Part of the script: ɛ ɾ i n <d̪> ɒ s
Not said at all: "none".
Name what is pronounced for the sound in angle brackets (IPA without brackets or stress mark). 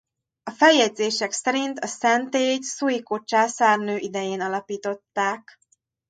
t̪